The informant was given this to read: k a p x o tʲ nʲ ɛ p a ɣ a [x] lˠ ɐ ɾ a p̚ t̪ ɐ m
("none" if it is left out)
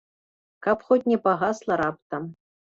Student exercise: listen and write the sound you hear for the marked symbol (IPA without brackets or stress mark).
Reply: s